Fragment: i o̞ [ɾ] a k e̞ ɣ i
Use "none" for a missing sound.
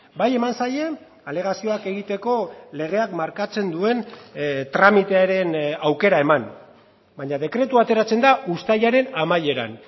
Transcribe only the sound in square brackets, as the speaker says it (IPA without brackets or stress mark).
none